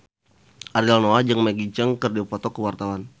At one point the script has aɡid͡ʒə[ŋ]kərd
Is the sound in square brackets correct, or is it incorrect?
correct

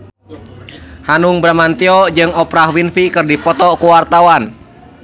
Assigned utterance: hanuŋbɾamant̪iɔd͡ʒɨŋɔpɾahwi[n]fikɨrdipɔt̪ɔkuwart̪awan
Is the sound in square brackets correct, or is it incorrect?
correct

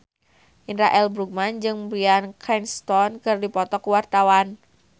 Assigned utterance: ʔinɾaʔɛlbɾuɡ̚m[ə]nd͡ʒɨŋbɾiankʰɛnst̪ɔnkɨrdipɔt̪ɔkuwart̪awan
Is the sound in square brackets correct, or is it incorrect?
incorrect: a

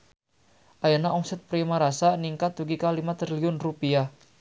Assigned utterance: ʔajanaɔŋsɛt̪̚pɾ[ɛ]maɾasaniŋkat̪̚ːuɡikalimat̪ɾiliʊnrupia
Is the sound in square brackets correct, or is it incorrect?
incorrect: i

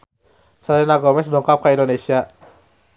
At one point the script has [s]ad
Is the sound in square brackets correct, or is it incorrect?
correct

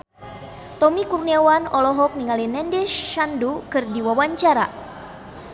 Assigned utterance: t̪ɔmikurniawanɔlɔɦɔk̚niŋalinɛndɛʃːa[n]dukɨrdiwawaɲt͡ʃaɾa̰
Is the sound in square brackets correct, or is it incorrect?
correct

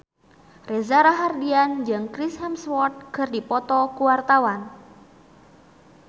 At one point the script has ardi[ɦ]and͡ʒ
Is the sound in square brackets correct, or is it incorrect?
incorrect: none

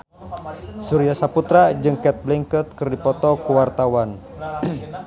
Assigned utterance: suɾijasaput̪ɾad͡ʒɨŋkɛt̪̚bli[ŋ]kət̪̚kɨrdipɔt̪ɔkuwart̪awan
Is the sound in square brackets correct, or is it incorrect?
correct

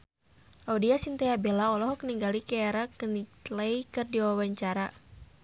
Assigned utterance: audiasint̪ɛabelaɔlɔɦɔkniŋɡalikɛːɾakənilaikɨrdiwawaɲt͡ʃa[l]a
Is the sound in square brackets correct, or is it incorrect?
incorrect: ɾ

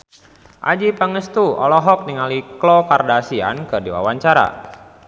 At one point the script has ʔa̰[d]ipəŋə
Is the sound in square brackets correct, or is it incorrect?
incorrect: d͡ʒ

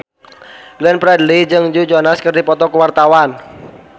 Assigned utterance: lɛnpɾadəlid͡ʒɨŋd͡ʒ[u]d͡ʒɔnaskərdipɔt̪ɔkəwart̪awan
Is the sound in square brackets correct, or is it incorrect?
correct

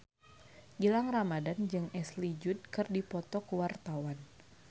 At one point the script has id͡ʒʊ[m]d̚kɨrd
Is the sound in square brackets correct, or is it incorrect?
incorrect: none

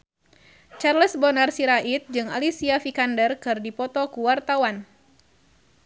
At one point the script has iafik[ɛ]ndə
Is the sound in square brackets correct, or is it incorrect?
incorrect: a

